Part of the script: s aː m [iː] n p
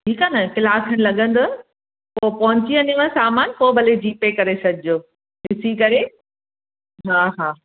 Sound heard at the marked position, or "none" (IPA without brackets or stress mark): aː